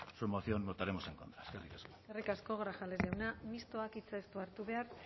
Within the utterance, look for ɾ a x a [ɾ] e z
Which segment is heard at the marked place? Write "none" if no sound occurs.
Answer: l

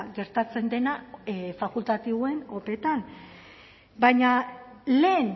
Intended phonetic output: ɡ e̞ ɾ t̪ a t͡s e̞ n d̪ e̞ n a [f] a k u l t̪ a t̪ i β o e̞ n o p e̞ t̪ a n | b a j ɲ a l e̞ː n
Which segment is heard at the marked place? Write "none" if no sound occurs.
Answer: f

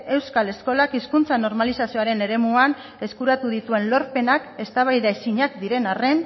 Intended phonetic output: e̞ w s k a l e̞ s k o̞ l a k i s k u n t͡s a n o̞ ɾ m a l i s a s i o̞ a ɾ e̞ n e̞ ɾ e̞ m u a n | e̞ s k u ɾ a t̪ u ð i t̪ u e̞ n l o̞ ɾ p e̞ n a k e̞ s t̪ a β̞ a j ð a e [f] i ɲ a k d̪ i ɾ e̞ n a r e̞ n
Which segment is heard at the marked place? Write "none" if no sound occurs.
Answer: s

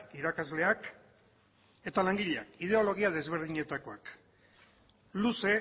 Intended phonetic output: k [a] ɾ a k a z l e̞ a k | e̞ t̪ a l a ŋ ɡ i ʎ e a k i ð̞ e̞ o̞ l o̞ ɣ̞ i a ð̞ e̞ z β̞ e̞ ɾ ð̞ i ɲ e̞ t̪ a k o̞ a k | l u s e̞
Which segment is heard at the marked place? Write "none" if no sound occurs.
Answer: i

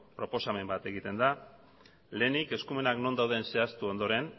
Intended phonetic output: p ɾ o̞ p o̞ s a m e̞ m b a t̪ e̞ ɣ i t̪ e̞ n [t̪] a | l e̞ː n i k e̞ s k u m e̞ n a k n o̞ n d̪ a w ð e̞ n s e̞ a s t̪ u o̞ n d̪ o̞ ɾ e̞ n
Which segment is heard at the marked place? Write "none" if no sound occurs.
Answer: d̪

